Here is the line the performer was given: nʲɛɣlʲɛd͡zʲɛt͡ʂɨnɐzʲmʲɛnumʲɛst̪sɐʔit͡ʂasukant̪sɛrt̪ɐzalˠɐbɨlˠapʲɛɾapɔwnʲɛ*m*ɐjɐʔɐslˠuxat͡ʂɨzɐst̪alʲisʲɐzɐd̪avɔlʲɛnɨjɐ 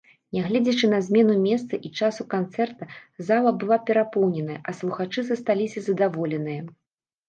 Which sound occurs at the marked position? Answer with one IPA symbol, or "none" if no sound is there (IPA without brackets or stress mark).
n